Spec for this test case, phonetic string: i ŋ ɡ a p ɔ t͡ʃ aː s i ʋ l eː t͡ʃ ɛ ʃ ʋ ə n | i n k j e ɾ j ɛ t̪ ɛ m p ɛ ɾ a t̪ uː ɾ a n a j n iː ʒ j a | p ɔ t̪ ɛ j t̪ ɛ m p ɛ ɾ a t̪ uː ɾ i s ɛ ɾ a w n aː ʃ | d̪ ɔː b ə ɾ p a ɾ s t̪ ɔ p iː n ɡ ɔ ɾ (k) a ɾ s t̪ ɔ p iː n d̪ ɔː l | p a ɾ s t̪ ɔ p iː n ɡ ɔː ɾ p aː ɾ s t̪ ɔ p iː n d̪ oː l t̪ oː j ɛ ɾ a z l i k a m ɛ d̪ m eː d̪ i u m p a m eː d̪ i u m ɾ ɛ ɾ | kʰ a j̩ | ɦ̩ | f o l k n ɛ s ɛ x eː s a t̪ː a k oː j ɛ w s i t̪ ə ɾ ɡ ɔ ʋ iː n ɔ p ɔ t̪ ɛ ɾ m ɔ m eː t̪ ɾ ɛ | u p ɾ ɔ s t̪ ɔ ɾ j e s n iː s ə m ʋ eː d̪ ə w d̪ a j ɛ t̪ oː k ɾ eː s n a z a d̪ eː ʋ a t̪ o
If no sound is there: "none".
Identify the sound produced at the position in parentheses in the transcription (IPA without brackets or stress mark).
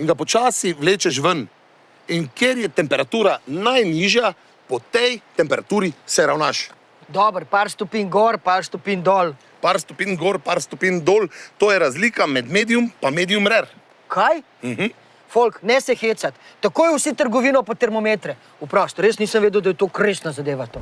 p